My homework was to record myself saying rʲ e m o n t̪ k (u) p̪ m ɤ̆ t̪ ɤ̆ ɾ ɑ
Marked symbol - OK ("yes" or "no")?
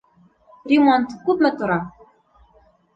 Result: yes